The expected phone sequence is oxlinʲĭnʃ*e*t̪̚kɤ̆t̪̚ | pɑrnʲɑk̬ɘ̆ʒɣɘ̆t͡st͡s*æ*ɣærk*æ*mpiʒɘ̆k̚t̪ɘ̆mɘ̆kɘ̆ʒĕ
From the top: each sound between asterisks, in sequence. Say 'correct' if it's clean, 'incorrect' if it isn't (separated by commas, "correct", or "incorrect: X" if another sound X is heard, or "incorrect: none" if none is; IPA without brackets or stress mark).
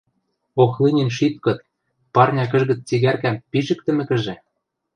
incorrect: i, incorrect: i, correct